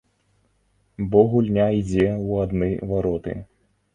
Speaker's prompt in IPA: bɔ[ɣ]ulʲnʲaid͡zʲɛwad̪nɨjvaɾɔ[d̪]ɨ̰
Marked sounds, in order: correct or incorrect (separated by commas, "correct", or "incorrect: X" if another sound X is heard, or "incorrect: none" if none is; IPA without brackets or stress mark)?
correct, incorrect: t̪